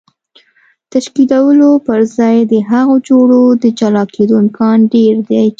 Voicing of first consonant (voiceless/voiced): voiceless